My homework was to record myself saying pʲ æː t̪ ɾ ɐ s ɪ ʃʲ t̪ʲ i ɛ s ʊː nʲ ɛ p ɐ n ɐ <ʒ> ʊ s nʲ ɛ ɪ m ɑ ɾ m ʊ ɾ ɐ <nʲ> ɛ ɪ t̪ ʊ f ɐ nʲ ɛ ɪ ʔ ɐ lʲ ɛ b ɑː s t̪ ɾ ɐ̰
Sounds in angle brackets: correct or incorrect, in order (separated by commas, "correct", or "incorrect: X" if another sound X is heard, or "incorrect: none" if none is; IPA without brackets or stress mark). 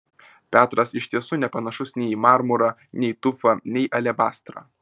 incorrect: ʃ, correct